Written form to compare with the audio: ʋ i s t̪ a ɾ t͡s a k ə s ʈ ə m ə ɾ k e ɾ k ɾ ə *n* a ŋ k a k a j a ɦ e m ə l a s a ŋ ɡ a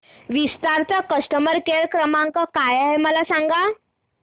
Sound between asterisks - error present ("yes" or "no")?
yes